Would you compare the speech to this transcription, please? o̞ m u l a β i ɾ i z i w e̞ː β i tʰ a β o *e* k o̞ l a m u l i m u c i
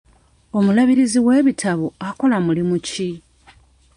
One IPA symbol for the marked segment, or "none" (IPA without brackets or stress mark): a